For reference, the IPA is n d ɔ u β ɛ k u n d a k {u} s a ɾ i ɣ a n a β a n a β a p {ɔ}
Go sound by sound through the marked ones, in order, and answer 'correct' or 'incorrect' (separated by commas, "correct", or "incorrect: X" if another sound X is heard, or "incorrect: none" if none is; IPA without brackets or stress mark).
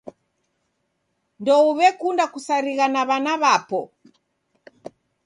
correct, correct